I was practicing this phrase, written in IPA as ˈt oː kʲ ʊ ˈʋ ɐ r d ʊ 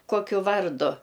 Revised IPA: ˈk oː kʲ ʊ ˈʋ ɐ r d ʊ